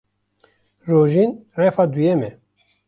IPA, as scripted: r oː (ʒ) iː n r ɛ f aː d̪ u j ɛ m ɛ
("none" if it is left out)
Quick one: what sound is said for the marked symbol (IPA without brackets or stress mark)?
ʒ